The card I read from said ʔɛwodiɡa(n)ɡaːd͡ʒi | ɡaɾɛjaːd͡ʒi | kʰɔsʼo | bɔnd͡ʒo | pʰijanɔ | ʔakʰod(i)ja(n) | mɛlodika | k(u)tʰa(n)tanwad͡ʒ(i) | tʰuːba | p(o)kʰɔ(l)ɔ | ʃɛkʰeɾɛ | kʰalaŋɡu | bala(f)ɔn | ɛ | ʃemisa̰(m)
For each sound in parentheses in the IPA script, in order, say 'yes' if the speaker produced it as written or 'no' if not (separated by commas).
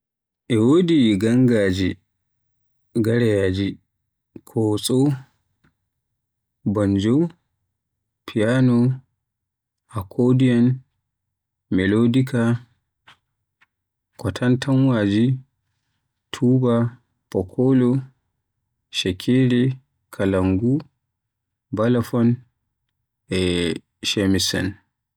no, yes, yes, no, yes, yes, no, yes, yes, no